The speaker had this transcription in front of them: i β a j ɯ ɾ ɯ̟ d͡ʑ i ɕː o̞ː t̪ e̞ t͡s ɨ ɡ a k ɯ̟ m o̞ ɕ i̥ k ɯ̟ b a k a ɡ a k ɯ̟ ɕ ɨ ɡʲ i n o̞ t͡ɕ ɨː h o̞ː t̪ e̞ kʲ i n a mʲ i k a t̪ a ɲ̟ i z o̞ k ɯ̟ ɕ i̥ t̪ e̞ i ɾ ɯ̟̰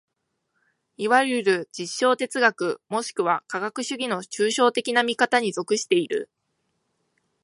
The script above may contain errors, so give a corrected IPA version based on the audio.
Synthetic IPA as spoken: i β a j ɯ ɾ ɯ̟ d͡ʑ i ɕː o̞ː t̪ e̞ t͡s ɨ ɡ a k ɯ̟ m o̞ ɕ i̥ k ɯ̟ β a k a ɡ a k ɯ̟ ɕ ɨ ɡʲ i n o̞ t͡ɕ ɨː ɕ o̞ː t̪ e̞ kʲ i n a mʲ i k a t̪ a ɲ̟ i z o̞ k ɯ̟ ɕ i̥ t̪ e̞ i ɾ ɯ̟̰